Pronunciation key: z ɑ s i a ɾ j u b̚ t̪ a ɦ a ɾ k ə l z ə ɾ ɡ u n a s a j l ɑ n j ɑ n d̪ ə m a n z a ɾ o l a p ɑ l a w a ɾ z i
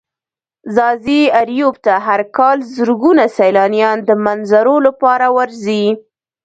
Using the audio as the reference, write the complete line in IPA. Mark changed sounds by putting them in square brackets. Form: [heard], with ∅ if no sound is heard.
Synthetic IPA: z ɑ [z] i a ɾ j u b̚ t̪ a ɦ a ɾ k [ɑ] l z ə ɾ ɡ u n a s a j l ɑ n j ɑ n d̪ ə m a n z a ɾ o l a p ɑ [ɾ] a w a ɾ z i